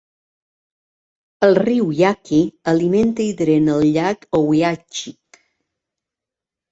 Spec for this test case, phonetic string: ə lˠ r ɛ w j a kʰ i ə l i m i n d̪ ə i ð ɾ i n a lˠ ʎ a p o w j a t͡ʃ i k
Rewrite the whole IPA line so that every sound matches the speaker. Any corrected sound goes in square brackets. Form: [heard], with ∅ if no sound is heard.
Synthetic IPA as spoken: ə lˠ r [i] w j a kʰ i ə l i m [e] n [t̪] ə i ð ɾ [e] n [ə] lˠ ʎ a [k] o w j a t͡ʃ i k